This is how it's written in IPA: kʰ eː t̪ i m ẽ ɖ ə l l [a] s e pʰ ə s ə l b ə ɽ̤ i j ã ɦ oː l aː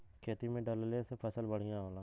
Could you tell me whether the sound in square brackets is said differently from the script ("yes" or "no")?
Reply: yes